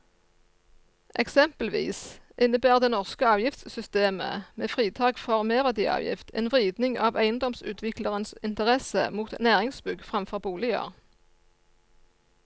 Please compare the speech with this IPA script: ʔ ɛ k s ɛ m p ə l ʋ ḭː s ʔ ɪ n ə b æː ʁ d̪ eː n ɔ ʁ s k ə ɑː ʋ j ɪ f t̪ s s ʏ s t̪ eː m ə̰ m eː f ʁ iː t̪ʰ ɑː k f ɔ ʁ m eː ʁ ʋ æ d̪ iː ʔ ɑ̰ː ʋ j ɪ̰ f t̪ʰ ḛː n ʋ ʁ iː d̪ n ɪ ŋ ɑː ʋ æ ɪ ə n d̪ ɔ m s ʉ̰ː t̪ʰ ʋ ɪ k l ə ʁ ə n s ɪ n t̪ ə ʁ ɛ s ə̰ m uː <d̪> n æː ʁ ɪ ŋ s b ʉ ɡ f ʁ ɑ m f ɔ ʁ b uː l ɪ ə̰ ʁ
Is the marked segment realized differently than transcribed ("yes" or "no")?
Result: yes